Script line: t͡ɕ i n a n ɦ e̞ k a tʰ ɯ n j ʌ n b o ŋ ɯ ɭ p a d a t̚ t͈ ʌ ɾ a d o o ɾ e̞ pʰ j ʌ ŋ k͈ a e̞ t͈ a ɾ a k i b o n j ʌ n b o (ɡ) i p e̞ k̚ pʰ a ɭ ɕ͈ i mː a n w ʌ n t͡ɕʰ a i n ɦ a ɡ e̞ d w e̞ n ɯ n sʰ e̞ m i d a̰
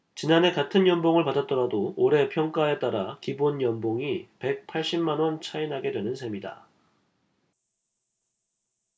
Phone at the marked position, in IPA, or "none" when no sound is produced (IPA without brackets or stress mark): ŋ